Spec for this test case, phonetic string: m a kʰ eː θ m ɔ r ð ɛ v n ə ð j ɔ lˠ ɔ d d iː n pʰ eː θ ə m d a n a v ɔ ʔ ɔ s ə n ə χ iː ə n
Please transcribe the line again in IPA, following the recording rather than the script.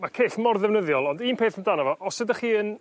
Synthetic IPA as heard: m a kʰ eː θ m ɔ r ð ɛ v n ə ð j ɔ lˠ ɔ n d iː n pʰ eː θ ə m d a n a v ɔ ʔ ɔ s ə d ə χ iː ə n